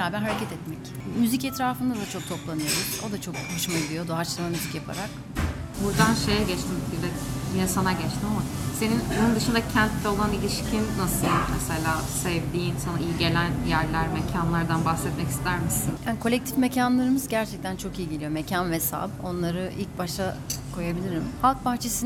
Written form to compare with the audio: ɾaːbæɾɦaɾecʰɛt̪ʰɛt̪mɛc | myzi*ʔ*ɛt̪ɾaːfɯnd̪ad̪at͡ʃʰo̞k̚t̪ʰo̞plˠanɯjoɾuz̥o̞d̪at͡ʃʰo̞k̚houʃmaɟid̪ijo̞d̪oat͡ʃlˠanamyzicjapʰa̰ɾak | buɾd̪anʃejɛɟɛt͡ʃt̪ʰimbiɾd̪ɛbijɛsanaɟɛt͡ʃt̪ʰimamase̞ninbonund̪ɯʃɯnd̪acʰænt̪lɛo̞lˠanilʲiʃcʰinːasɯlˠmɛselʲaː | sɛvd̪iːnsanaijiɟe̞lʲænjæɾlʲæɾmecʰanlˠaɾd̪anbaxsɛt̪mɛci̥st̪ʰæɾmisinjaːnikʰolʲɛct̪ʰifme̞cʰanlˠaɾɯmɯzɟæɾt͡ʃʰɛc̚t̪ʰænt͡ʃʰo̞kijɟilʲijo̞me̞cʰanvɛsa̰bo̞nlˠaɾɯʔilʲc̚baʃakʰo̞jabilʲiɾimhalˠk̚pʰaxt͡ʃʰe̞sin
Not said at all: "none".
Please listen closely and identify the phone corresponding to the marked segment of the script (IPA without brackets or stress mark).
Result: c